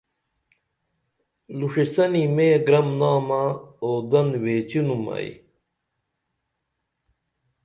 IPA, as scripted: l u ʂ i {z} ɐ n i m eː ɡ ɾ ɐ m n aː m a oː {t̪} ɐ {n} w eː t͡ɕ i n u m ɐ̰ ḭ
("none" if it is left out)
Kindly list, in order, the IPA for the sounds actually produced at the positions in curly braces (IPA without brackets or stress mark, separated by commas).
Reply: s, d̪, n